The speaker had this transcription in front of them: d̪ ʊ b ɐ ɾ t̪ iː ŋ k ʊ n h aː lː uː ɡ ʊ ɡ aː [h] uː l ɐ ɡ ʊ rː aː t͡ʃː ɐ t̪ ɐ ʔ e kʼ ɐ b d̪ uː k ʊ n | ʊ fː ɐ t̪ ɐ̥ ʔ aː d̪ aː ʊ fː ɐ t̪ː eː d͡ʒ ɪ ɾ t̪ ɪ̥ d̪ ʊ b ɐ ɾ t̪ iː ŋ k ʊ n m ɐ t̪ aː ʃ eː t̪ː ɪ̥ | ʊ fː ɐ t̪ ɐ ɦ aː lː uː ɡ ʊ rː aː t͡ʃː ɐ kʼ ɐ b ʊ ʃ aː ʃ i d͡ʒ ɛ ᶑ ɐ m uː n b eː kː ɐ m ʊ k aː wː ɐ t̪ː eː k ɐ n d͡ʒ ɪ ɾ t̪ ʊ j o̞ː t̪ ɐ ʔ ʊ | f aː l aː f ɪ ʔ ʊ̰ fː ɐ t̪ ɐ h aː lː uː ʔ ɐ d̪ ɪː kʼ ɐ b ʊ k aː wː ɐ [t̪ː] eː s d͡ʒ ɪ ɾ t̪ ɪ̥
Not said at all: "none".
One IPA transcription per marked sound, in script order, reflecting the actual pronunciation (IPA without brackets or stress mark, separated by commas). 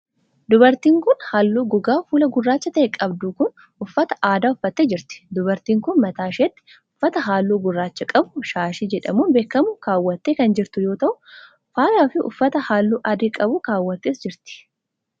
f, t̪ː